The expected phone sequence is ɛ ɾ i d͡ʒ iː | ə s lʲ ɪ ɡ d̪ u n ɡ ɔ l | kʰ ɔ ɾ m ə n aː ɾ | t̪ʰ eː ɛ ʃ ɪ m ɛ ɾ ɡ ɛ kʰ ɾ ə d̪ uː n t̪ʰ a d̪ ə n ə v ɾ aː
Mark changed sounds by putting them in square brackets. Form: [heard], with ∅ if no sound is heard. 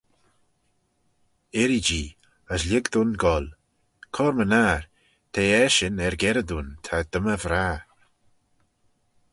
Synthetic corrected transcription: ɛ ɾ i d͡ʒ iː | ə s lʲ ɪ ɡ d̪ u n ɡ ɔ l | kʰ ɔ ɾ m ə n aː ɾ | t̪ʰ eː ɛ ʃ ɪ [n] ɛ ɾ ɡ ɛ [∅] ɾ ə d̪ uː n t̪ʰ a d̪ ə [m] ə v ɾ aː

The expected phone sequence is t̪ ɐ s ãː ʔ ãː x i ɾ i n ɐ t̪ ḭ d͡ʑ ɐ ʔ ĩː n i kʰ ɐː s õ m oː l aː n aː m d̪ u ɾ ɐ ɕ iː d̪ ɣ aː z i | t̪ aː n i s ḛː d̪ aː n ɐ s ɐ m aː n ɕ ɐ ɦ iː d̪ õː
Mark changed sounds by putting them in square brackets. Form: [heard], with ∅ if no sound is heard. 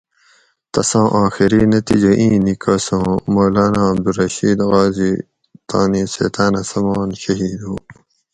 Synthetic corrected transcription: t̪ ɐ s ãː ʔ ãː x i ɾ i n ɐ t̪ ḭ d͡ʑ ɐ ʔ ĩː n i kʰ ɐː s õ m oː l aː n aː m d̪ u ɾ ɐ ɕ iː d̪ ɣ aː z i | t̪ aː n i s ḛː [t̪] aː n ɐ s ɐ m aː n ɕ ɐ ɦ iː d̪ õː

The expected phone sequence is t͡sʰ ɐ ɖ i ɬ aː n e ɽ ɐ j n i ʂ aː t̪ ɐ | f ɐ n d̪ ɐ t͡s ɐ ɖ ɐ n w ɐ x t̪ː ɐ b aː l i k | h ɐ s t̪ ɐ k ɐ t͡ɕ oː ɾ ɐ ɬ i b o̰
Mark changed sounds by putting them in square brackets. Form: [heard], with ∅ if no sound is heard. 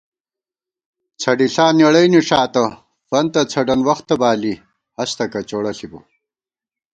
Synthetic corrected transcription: t͡sʰ ɐ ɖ i ɬ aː n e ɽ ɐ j n i ʂ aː t̪ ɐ | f ɐ n [t̪] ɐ [t͡sʰ] ɐ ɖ ɐ n w ɐ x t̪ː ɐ b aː l i [∅] | h ɐ s t̪ ɐ k ɐ t͡ɕ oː [ɽ] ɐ ɬ i b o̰

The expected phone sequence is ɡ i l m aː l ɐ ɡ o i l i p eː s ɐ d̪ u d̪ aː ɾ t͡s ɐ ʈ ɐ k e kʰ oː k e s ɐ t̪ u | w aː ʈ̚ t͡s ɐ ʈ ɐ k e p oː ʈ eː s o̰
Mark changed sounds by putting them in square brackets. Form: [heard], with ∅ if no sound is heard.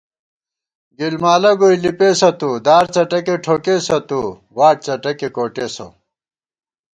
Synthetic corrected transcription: ɡ i l m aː l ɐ ɡ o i l i p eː s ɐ [t̪] u d̪ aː ɾ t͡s ɐ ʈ ɐ k e [ʈʰ] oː k e s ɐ t̪ u | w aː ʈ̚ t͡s ɐ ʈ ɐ k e [k] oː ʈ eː s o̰

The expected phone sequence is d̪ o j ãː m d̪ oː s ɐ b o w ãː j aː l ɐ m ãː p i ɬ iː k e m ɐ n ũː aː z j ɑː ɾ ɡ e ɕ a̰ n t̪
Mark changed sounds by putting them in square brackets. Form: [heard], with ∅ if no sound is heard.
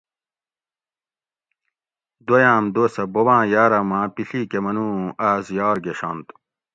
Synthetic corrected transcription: d̪ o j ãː m d̪ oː s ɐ b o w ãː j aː [ɾ] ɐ m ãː p i ɬ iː k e m ɐ n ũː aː z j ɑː ɾ ɡ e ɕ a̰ n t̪

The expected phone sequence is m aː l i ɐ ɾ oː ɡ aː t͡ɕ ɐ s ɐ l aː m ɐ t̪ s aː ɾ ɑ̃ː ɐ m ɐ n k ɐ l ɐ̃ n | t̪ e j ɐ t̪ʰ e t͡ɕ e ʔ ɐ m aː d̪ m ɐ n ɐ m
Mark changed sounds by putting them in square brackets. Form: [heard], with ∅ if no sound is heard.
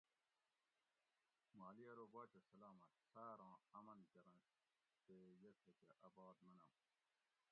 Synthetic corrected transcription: m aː l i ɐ ɾ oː [b] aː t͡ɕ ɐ s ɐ l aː m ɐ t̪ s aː ɾ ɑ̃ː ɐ m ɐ n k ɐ [ɾ] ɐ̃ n | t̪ e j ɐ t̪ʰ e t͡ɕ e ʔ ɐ [b] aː d̪ m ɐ n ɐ m

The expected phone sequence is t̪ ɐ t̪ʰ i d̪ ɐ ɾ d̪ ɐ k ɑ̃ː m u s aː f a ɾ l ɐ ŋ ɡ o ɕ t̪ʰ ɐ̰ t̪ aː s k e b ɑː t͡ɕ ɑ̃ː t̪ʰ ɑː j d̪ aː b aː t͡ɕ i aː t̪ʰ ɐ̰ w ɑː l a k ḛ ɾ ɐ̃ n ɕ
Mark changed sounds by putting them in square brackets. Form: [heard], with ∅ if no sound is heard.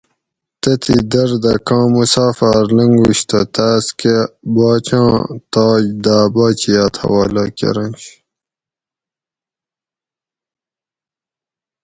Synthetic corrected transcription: t̪ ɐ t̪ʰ i d̪ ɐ ɾ d̪ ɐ k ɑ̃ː m u s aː f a ɾ l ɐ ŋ ɡ [u] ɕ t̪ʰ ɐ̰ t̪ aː s k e b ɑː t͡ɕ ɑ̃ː [t̪] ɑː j d̪ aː b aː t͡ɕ i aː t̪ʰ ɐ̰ w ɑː l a k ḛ ɾ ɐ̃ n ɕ

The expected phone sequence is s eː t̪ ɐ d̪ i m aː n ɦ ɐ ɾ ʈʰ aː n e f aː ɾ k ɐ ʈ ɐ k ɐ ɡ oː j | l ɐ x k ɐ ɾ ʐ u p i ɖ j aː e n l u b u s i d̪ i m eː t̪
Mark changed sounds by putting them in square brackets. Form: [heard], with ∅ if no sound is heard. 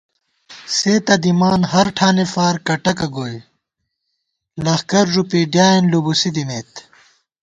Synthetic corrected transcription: s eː t̪ ɐ d̪ i m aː n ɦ ɐ ɾ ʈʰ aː n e f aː ɾ k ɐ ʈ ɐ k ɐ ɡ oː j | l ɐ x k ɐ ɾ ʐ u p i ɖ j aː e n l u b u s i d̪ i m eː t̪

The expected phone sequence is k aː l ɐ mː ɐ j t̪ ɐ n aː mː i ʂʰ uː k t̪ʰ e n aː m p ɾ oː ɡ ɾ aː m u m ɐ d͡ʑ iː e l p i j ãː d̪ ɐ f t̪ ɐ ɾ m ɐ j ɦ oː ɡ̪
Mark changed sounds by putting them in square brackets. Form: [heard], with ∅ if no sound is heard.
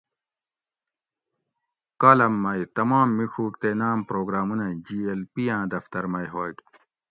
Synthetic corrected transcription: k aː l ɐ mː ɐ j t̪ ɐ [m] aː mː i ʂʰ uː k [t̪] e n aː m p ɾ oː ɡ ɾ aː m u [n] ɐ d͡ʑ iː e l p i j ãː d̪ ɐ f t̪ ɐ ɾ m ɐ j ɦ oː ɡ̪

